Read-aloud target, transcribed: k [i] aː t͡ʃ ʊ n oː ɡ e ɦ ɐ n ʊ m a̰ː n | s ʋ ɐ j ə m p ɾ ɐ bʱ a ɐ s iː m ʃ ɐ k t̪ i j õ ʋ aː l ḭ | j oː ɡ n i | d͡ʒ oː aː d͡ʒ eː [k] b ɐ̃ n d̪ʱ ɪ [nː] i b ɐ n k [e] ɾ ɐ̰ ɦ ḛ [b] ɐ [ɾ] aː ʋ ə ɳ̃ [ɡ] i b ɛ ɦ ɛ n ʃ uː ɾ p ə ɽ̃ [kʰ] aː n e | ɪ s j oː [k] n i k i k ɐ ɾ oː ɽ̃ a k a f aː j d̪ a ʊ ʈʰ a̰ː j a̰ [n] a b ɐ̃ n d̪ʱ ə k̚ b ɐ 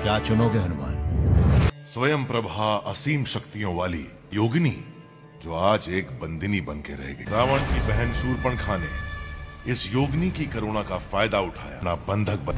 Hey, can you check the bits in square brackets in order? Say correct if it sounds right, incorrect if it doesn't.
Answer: incorrect: j, correct, incorrect: n, correct, incorrect: ɡ, correct, incorrect: k, correct, incorrect: ɡ, correct

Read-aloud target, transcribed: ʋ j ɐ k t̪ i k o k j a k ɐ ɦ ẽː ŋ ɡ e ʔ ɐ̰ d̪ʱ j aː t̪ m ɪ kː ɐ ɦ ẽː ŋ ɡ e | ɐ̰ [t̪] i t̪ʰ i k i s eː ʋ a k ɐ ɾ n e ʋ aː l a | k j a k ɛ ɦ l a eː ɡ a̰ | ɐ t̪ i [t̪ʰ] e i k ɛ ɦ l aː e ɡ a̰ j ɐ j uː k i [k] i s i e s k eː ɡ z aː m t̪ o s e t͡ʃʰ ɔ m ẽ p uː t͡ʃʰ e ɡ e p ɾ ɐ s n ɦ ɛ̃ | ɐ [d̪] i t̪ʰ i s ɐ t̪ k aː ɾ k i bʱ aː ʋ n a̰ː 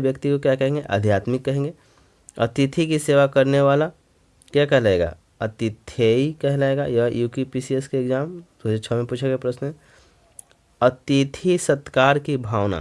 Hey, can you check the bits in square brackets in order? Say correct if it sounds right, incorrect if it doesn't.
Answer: correct, correct, incorrect: p, incorrect: t̪

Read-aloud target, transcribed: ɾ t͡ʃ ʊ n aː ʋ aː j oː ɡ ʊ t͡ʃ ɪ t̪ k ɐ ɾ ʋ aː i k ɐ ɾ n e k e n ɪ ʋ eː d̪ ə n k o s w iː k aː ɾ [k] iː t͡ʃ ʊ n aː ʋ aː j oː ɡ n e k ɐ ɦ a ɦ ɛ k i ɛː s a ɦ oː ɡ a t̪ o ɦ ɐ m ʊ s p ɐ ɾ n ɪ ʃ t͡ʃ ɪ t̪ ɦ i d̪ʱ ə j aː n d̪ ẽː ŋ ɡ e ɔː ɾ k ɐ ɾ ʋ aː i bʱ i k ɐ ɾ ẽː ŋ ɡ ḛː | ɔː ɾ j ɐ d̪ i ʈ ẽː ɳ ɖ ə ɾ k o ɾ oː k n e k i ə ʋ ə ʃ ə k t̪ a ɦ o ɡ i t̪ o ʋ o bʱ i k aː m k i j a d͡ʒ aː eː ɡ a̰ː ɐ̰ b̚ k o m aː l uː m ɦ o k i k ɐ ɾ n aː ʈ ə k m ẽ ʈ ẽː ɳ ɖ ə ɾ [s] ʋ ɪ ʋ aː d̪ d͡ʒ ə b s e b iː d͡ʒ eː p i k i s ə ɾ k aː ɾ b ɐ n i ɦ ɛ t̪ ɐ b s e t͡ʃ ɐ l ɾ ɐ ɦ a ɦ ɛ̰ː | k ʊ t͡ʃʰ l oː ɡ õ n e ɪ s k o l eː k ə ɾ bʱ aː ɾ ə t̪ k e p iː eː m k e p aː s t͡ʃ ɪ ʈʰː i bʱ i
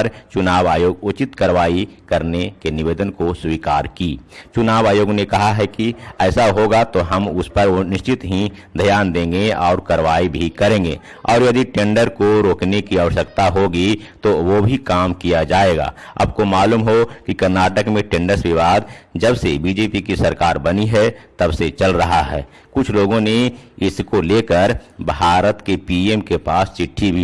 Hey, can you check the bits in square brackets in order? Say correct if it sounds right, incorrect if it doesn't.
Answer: correct, correct

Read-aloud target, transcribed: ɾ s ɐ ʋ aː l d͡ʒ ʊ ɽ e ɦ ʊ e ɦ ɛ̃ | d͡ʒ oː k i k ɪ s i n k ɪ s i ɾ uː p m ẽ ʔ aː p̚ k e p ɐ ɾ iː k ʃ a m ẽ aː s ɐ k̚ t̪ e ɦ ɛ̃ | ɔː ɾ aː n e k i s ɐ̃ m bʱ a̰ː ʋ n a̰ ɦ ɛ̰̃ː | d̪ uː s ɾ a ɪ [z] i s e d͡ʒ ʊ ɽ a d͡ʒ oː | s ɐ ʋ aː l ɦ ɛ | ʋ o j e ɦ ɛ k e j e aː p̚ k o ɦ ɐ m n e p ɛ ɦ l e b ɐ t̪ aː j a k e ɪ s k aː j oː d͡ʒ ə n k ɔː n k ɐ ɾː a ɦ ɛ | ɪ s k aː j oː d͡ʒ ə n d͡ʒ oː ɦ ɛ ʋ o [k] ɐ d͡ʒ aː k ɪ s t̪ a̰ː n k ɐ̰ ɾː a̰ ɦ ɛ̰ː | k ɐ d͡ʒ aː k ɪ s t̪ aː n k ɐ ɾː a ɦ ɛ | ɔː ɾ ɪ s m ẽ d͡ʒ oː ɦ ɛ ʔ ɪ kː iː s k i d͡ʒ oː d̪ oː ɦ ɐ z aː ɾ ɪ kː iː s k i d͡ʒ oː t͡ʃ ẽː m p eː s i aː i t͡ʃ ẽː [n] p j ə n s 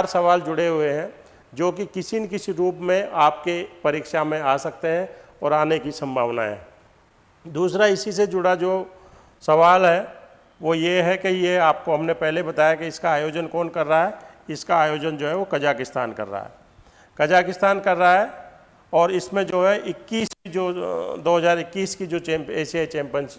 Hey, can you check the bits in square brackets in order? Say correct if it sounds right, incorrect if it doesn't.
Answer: incorrect: s, correct, incorrect: m

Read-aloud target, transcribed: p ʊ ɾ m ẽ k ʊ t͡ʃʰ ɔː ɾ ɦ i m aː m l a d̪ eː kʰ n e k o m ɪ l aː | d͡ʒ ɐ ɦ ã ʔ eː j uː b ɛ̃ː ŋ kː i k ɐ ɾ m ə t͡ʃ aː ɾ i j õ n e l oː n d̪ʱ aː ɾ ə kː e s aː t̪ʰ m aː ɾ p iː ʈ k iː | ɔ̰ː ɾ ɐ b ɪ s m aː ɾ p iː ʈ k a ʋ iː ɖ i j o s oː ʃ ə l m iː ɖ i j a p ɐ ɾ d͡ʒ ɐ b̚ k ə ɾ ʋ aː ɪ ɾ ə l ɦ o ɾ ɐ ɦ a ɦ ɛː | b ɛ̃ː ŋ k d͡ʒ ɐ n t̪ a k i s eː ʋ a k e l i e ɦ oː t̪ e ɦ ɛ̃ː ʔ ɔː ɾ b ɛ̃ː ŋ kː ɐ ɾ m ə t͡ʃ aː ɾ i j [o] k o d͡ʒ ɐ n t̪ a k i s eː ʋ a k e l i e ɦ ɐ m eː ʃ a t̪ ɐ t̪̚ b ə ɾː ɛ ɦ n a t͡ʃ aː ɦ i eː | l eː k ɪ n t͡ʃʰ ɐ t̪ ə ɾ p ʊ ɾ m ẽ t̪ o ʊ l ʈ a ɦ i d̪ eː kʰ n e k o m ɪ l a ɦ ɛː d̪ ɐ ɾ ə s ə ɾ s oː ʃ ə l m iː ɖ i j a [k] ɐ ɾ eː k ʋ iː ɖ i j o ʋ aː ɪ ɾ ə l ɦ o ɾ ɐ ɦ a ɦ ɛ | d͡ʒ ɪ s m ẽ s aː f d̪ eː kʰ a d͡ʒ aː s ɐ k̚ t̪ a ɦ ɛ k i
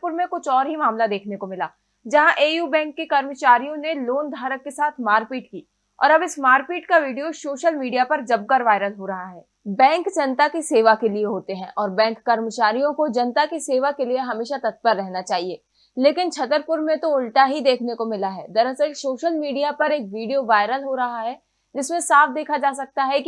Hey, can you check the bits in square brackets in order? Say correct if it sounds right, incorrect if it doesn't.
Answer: incorrect: õ, incorrect: p

